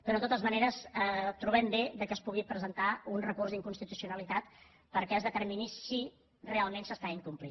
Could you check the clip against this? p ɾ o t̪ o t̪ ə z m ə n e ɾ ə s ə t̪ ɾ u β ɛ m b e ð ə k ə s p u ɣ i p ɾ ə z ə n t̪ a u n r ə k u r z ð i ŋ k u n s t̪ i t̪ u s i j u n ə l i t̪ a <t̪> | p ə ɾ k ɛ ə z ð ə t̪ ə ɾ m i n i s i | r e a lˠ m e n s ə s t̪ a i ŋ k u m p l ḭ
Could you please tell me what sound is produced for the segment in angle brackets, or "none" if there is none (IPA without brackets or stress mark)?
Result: t̪